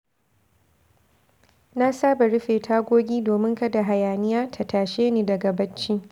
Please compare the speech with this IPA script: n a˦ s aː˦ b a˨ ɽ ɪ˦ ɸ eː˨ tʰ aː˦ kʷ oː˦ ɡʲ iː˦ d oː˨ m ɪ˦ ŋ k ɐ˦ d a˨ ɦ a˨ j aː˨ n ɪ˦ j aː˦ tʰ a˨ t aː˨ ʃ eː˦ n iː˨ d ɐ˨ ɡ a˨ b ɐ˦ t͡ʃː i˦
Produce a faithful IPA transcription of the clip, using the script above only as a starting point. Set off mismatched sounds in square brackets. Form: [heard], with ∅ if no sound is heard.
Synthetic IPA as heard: n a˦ s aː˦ b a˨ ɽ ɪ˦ ɸ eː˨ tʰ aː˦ [ɡʷ] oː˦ ɡʲ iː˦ d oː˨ m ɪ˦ ŋ k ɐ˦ d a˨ ɦ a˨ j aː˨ n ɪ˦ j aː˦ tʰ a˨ t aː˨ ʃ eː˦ n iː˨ d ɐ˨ ɡ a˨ b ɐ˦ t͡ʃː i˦